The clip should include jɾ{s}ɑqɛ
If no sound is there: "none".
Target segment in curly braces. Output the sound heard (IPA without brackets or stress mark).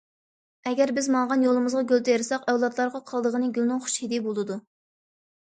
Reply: s